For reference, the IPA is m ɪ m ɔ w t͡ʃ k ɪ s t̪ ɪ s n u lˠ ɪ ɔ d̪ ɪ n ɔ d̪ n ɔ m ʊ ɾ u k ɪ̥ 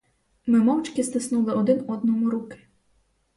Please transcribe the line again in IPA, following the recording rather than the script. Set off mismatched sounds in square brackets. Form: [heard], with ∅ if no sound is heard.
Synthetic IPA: m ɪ m ɔ w t͡ʃ k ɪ s t̪ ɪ s n u lˠ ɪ ɔ d̪ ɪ n ɔ d̪ n ɔ m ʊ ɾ u k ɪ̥

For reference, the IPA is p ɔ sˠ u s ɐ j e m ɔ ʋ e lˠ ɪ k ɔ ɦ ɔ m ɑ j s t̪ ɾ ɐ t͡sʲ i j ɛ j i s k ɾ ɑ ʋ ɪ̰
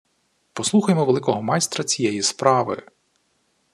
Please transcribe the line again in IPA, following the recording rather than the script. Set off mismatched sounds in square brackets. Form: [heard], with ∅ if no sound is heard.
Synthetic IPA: p ɔ sˠ u [x] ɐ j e m ɔ ʋ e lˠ ɪ k ɔ ɦ ɔ m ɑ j s t̪ ɾ ɐ t͡sʲ i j ɛ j i s [p] ɾ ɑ ʋ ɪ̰

